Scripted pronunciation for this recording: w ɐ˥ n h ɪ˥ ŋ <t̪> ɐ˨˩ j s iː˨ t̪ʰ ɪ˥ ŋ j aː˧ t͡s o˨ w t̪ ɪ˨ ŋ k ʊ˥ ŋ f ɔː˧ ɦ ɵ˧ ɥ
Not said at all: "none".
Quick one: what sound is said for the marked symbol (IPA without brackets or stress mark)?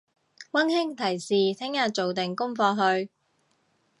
t̪ʰ